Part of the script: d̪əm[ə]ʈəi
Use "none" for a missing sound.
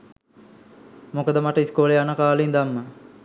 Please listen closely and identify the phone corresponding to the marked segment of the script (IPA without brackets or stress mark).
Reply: a